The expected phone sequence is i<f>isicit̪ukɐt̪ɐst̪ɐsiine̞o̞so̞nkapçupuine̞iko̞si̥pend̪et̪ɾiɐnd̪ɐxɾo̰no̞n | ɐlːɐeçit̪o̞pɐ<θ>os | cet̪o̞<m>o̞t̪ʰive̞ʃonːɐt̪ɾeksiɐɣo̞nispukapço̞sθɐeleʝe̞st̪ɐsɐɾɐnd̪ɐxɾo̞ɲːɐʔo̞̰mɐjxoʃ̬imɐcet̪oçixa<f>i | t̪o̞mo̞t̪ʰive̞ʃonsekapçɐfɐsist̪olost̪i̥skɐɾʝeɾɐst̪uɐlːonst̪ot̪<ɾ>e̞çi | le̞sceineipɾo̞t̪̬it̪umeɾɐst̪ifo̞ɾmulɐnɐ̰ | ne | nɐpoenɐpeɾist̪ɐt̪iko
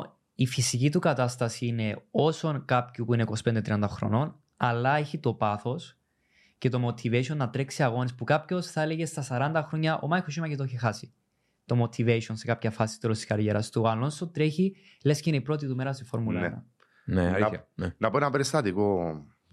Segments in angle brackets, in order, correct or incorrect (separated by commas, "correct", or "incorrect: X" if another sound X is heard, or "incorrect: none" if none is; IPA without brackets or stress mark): correct, correct, correct, incorrect: s, correct